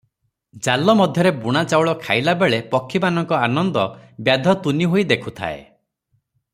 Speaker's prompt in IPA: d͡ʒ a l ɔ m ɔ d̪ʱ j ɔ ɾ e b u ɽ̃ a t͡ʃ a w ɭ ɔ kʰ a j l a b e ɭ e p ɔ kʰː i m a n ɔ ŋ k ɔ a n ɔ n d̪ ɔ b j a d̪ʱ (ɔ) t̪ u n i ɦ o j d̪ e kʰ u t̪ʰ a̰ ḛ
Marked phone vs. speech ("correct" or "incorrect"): correct